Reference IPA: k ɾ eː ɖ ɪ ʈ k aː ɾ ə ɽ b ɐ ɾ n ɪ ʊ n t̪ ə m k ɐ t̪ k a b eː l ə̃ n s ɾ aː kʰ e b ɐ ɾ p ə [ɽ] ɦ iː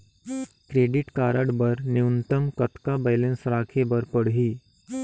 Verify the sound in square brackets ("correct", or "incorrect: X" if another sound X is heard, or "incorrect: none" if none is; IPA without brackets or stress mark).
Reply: correct